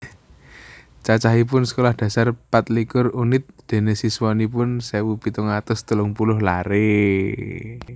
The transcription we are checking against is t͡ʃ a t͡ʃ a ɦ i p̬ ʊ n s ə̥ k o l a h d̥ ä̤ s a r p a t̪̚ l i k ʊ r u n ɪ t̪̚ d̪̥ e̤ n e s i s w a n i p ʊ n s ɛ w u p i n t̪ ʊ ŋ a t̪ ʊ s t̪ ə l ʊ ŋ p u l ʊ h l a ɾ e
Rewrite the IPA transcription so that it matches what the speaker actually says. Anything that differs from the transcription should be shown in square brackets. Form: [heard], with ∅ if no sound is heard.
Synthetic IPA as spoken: t͡ʃ a t͡ʃ a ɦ i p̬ ʊ n s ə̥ k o l a h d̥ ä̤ s a r p a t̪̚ l i k ʊ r u n ɪ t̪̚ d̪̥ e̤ n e s i s w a n i p ʊ n s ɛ w u p i [∅] t̪ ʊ ŋ a t̪ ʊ s t̪ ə l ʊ ŋ p u l ʊ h l a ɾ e